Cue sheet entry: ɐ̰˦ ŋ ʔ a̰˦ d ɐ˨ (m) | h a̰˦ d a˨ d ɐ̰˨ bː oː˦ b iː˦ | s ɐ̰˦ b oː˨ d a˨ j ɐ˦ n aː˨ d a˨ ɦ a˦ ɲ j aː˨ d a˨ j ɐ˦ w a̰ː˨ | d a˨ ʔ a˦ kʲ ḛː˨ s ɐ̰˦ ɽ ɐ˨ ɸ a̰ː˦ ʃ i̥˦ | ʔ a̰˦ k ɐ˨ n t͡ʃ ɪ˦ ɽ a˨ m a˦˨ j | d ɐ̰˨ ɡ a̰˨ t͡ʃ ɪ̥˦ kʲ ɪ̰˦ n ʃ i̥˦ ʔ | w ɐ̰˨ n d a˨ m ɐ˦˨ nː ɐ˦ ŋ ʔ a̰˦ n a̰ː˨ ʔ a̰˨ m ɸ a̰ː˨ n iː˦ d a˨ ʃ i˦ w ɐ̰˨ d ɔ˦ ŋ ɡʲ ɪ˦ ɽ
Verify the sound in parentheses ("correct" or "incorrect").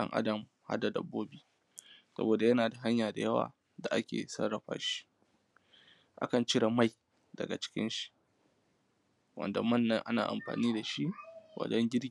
correct